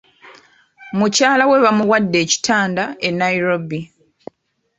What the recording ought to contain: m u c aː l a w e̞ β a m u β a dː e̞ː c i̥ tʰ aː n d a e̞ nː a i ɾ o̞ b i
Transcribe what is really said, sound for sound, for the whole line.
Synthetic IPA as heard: m u c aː l a w e̞ β a m u w a dː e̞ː c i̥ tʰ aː n d a e̞ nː a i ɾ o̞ b i